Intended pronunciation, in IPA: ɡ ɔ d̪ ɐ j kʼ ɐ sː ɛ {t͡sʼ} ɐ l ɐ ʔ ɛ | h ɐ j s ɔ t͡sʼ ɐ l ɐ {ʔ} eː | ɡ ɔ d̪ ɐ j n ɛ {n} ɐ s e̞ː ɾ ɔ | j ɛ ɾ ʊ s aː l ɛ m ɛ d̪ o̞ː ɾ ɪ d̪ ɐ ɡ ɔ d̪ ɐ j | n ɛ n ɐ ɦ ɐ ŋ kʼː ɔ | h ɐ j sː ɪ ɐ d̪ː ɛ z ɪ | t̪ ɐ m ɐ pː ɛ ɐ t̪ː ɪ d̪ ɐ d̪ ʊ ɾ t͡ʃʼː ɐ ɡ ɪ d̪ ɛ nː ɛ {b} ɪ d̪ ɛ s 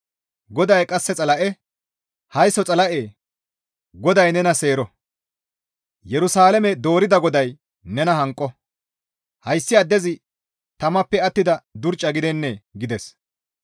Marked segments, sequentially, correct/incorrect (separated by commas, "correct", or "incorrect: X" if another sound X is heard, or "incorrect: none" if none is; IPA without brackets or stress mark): correct, correct, correct, incorrect: ɡ